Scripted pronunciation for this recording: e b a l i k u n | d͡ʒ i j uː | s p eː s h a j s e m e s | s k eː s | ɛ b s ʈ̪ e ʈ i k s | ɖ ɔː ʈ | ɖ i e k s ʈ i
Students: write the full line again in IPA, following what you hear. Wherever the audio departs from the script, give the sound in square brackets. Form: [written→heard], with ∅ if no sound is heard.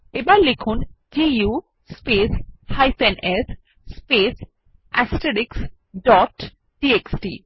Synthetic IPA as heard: e b a l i [k→kʰ] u n | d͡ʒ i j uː | s p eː s h a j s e [m→n] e s | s [k→p] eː s | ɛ [b→∅] s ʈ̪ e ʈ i k s | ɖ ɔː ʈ | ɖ i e k s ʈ i